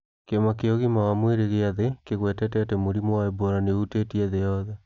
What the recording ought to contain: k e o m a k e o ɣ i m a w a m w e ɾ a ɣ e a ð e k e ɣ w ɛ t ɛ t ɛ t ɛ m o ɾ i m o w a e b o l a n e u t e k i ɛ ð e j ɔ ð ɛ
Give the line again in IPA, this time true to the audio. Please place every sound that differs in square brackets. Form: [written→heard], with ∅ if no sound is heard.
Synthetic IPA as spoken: k e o m a k e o ɣ i m a w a m w e ɾ [a→e] ɣ e a ð e k e ɣ w ɛ t ɛ t ɛ t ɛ m o ɾ i m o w a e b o [l→ɾ] a n e u t e [k→t] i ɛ ð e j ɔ ð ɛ